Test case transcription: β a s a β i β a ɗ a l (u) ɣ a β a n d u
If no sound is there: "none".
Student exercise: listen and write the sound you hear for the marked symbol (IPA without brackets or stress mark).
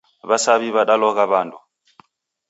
ɔ